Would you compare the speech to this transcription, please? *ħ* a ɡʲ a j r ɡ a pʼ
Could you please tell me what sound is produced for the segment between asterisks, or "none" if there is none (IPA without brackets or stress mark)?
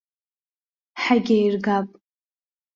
ħ